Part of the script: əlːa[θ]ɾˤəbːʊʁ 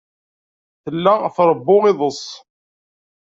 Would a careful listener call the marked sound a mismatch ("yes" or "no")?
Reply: no